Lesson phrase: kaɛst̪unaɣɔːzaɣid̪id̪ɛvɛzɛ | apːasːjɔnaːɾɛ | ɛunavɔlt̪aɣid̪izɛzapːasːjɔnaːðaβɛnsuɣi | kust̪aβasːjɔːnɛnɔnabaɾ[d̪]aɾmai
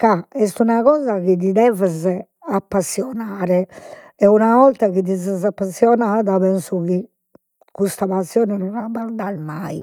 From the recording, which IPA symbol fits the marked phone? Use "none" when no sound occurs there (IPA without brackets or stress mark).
d̪